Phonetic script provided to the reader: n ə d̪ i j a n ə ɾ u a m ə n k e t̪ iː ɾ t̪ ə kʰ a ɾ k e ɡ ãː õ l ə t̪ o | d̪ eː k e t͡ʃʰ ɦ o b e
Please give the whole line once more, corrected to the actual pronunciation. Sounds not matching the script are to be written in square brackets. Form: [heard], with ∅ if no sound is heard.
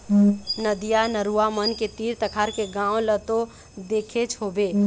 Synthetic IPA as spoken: n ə d̪ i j a n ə ɾ u a m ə n k e t̪ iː ɾ t̪ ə kʰ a ɾ k e ɡ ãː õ l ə t̪ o | d̪ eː [kʰ] e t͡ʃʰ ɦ o b e